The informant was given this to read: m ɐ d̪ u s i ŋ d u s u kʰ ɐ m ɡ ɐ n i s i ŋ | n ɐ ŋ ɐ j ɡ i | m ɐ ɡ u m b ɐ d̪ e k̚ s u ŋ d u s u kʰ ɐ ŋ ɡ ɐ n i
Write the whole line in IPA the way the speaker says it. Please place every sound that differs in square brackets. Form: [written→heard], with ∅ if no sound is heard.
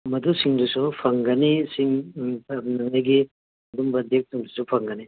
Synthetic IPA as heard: m ɐ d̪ u s i ŋ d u s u [kʰ→pʰ] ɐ [m→ŋ] ɡ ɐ n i s i ŋ | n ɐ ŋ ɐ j ɡ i | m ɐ [ɡ→d] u m b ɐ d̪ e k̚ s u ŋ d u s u [kʰ→pʰ] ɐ ŋ ɡ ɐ n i